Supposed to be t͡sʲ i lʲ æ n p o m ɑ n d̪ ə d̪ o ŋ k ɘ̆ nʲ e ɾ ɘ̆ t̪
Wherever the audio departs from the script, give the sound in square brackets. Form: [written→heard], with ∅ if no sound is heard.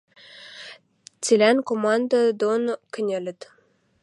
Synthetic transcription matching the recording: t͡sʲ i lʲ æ n [p→k] o m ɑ n d̪ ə d̪ o [ŋ→n] k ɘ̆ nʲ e [ɾ→l] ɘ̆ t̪